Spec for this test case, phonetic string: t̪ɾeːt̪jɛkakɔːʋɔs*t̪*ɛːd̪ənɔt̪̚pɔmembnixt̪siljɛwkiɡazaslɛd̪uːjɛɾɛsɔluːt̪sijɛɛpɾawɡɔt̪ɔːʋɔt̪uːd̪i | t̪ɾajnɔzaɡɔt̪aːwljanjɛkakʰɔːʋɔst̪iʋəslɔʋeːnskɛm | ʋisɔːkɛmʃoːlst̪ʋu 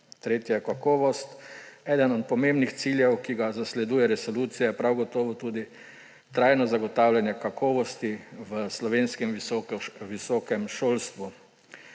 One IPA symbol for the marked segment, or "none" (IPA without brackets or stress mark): t̪